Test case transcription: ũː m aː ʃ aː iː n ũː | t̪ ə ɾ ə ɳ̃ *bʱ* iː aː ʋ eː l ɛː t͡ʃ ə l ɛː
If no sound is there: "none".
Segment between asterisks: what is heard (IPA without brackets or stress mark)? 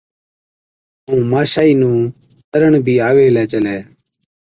bʱ